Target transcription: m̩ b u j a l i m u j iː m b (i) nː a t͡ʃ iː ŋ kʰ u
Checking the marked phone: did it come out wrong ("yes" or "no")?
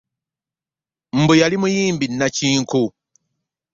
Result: no